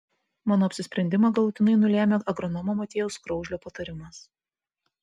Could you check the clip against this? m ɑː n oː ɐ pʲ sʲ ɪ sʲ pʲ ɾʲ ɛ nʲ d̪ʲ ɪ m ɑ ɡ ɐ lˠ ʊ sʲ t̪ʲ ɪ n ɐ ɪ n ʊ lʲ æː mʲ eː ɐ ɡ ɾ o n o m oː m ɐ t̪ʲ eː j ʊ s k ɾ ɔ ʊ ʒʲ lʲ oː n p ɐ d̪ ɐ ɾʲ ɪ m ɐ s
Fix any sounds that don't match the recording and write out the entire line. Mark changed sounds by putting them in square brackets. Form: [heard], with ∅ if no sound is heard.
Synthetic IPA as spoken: m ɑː n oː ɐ pʲ sʲ ɪ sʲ pʲ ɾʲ ɛ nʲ d̪ʲ ɪ m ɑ ɡ ɐ lˠ ʊ [∅] t̪ʲ ɪ n ɐ ɪ n ʊ lʲ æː mʲ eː ɐ ɡ ɾ [ɔ] n [ɔ] m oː m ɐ t̪ʲ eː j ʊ s k ɾ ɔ ʊ ʒʲ lʲ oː [∅] p ɐ [t̪] ɐ ɾʲ ɪ m ɐ s